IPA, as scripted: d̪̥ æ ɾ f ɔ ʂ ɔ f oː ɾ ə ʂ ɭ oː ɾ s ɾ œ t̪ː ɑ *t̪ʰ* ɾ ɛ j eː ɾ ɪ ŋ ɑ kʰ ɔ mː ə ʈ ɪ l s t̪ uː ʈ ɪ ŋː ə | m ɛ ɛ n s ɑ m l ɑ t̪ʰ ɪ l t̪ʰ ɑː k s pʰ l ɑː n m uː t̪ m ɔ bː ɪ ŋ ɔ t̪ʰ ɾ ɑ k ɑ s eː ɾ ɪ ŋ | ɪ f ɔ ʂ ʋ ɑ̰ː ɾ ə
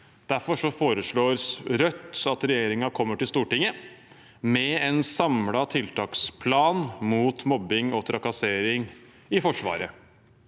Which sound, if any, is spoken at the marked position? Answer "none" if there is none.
t̪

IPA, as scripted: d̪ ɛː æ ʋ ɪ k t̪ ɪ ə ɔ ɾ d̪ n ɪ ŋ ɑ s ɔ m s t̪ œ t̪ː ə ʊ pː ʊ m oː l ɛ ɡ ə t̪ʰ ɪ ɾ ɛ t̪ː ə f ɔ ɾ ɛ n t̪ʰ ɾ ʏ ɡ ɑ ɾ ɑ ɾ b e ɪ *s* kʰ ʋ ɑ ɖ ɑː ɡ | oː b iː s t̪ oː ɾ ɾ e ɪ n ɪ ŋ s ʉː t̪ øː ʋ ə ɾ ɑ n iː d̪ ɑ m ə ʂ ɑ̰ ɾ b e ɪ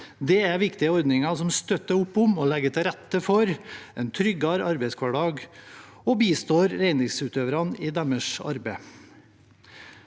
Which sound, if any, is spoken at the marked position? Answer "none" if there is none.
s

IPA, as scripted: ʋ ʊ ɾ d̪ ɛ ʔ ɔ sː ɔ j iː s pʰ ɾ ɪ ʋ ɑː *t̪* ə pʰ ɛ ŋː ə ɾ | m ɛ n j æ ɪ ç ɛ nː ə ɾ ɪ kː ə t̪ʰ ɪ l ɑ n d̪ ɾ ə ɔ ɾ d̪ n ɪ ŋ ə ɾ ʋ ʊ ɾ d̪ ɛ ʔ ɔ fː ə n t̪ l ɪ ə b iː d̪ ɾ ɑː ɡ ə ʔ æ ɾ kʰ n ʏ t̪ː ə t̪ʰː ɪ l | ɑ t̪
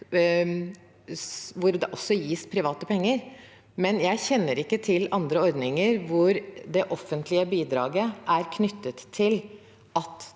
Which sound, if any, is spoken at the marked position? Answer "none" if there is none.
t̪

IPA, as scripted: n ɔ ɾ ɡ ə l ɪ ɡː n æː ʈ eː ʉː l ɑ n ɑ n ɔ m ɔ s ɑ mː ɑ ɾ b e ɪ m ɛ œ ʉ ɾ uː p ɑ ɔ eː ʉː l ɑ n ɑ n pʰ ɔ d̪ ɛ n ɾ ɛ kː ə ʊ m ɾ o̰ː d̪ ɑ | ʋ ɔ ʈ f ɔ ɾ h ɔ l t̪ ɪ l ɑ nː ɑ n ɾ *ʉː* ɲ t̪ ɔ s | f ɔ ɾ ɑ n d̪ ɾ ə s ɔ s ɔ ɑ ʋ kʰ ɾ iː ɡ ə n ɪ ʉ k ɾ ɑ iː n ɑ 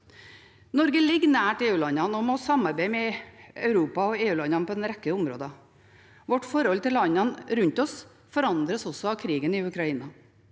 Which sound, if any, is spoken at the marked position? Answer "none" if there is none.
ʉ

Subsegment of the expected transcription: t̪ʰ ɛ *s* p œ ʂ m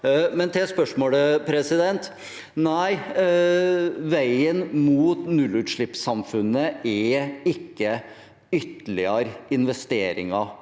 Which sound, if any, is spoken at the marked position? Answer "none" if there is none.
s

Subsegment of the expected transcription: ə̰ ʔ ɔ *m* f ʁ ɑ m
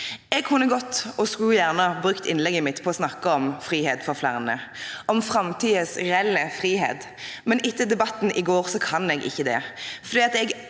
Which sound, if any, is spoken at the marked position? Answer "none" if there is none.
m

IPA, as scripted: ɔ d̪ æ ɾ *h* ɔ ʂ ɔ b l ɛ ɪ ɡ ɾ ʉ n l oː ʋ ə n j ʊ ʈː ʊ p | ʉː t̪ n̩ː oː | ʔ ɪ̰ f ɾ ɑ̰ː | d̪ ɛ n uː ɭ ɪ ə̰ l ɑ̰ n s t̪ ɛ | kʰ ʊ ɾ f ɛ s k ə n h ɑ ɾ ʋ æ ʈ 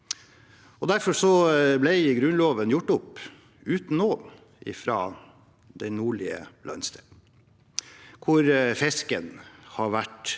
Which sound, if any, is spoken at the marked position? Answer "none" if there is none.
f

